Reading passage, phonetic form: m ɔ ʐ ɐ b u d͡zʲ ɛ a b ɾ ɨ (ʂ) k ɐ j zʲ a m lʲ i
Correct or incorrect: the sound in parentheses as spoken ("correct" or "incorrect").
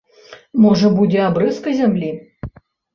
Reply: incorrect